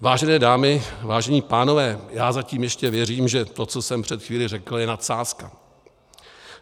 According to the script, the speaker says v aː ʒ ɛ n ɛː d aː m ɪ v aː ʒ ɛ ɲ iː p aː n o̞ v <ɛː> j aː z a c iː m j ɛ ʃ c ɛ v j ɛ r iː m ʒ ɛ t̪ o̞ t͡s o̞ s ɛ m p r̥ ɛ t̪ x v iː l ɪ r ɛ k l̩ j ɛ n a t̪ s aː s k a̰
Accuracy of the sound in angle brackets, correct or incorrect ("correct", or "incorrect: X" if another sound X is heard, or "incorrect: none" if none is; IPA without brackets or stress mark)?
correct